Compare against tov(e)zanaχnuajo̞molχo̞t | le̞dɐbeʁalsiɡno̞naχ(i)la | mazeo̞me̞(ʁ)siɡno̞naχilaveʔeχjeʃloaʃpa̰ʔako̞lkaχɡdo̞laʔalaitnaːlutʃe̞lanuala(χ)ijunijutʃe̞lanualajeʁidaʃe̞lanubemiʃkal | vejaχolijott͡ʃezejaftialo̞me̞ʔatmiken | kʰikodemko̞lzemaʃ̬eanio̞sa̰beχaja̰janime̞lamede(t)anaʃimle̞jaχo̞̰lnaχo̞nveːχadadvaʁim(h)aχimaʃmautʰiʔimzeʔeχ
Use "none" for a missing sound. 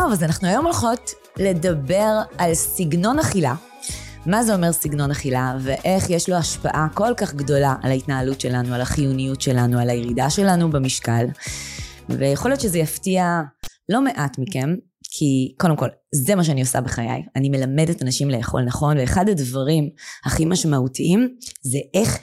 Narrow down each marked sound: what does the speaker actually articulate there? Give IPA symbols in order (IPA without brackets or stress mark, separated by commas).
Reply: a, i, ʁ, χ, t, h